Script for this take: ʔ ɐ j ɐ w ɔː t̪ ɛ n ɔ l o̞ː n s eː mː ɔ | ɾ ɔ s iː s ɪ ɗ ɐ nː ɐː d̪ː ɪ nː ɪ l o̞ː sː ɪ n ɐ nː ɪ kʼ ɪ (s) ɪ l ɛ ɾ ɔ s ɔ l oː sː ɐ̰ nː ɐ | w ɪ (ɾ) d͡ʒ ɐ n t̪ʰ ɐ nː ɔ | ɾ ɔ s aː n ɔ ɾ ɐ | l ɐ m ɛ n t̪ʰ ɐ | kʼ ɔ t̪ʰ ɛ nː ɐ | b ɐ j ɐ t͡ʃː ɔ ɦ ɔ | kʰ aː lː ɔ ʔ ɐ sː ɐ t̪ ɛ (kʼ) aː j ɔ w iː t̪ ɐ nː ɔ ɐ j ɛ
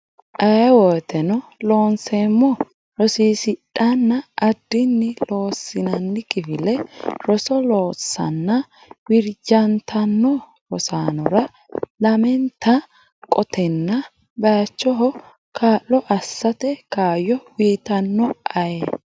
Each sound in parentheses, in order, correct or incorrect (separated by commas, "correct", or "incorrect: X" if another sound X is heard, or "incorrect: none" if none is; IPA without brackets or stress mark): incorrect: f, correct, incorrect: k